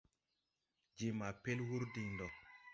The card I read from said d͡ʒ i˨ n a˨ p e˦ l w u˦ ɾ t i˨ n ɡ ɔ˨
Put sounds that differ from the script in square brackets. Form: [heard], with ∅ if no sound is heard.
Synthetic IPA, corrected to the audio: d͡ʒ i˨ [m] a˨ p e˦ l w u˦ ɾ [d] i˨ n [d] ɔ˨